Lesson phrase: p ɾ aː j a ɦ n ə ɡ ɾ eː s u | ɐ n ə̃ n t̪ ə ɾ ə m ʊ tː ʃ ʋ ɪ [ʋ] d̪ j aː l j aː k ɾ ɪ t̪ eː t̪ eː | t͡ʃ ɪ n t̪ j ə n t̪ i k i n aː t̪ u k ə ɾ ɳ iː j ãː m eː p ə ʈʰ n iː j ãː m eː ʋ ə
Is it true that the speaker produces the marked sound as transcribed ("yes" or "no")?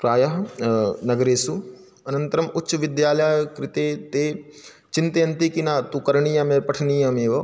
no